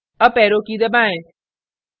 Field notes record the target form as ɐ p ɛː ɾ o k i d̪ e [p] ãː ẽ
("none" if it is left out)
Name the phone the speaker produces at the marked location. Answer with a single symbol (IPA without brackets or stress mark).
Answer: b